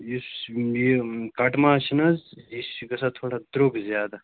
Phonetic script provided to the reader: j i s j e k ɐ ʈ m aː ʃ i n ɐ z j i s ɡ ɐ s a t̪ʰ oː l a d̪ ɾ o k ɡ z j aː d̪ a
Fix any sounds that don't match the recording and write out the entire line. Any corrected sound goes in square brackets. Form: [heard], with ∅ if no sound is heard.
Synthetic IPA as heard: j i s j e k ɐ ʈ m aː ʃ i n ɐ z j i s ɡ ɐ s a t̪ʰ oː [ɽ] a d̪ ɾ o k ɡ z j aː d̪ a